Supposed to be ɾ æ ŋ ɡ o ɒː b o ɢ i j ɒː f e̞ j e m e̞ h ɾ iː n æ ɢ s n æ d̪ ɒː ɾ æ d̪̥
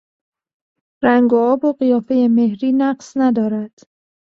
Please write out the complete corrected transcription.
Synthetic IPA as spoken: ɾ æ ŋ ɡ o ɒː b o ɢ i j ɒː f e̞ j e m e̞ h ɾ iː n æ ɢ s n æ d̪ ɒː ɾ æ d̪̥